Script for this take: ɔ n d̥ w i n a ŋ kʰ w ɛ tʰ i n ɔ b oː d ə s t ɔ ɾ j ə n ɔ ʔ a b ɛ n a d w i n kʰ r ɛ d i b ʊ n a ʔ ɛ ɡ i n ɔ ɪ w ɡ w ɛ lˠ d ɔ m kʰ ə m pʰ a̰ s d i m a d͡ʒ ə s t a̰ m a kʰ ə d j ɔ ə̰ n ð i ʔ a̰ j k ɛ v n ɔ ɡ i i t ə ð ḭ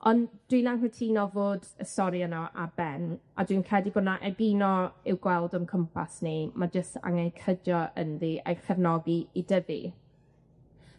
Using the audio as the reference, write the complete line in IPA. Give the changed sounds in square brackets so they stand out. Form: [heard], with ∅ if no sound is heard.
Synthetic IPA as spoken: ɔ n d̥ w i n a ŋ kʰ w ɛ tʰ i n ɔ [v] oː d ə s t ɔ ɾ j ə n ɔ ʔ a b ɛ n a d w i n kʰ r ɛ d i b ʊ n a ʔ ɛ ɡ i n ɔ ɪ w ɡ w ɛ lˠ d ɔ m kʰ ə m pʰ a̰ s [n] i m a d͡ʒ ə s t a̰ [ŋ] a kʰ ə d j ɔ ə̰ n ð i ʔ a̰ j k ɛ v n ɔ ɡ i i [d] ə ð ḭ